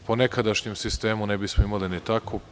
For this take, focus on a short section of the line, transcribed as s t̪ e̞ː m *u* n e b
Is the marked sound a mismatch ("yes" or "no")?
no